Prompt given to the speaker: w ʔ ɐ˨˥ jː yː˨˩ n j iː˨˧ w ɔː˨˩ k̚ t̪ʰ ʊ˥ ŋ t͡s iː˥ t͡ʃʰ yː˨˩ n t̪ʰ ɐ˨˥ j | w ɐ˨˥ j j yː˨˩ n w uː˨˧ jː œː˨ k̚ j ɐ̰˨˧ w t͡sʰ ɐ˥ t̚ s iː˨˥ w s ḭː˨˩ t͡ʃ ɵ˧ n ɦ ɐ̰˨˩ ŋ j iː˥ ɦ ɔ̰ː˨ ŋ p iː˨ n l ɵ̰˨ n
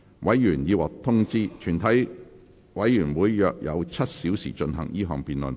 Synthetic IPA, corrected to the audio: w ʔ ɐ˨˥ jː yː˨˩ n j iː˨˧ w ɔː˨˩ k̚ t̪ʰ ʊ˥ ŋ t͡s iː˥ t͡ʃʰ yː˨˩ n t̪ʰ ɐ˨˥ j | w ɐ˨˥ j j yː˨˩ n w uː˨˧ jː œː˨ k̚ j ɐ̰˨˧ w t͡sʰ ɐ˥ t̚ s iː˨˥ w s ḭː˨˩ t͡ʃ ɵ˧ n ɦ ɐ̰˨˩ ŋ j iː˥ ɦ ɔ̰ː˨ ŋ p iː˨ n l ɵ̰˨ n